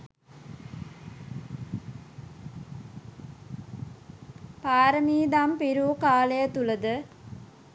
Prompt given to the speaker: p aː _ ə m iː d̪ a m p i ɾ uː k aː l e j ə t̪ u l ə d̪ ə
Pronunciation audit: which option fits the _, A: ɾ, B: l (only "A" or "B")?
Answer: A